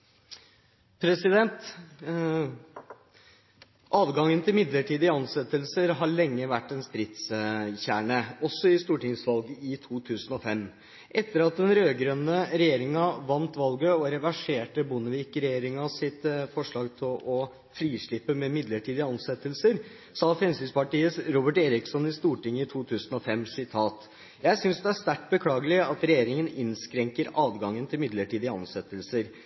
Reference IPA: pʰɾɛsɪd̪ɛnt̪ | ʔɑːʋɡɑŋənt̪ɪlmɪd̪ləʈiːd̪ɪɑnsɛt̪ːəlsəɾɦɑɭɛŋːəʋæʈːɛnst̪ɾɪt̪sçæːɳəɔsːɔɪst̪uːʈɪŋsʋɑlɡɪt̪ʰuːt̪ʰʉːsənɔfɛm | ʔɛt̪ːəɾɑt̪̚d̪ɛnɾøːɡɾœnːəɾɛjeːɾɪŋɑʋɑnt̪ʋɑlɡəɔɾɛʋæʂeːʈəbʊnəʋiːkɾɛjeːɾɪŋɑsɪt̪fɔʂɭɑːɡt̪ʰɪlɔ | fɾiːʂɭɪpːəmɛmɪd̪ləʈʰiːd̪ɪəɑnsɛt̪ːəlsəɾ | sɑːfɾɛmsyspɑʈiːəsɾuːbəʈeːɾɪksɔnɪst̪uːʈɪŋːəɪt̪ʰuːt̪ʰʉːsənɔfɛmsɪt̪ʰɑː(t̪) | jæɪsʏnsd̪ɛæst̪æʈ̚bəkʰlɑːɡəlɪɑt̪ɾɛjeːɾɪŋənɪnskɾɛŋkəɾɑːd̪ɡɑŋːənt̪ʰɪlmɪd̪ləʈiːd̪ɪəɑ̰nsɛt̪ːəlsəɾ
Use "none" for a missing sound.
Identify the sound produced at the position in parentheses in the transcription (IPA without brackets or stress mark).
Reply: t̪